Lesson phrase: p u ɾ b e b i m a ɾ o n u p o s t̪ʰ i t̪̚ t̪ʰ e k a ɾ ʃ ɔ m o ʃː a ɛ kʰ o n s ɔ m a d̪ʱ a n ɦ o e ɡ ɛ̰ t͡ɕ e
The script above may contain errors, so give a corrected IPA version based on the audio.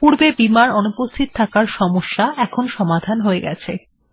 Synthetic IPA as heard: p u ɾ b e b i m a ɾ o n u p o s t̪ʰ i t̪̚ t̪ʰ a k a ɾ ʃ ɔ m o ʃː a ɛ kʰ o n ʃ ɔ m a d̪ʱ a n ɦ o e ɡ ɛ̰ t͡ɕʰ e